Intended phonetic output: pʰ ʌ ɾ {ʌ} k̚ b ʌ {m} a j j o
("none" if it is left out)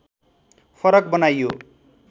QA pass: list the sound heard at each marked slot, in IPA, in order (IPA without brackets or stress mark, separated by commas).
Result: ʌ, n